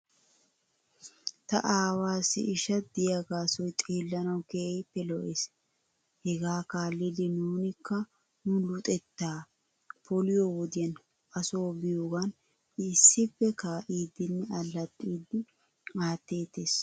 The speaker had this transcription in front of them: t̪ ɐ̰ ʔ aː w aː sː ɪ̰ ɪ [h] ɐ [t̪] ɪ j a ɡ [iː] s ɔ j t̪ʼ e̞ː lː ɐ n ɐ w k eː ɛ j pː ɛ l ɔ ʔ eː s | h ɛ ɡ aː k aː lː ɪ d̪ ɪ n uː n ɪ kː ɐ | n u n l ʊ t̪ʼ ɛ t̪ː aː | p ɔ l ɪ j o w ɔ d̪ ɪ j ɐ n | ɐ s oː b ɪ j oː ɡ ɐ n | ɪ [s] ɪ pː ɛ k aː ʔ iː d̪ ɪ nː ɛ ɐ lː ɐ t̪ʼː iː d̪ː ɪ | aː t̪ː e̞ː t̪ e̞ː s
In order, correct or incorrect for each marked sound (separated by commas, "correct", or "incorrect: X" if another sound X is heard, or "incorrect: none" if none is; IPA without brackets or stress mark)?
incorrect: ʃ, incorrect: d̪, incorrect: aː, incorrect: sː